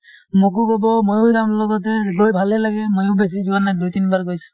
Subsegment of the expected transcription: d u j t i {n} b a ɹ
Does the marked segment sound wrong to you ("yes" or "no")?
no